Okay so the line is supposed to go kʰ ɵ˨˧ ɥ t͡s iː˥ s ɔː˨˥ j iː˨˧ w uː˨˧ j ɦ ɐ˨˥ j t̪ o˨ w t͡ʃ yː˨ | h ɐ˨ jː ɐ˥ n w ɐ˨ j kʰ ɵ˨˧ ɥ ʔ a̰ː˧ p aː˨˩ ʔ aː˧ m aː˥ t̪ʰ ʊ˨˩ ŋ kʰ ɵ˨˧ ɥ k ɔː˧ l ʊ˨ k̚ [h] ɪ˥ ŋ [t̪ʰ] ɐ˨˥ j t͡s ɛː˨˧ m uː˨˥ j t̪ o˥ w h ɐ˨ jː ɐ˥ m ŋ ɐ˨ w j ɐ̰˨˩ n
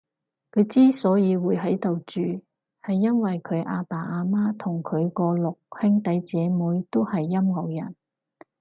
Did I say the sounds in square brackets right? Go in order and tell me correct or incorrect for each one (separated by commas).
correct, incorrect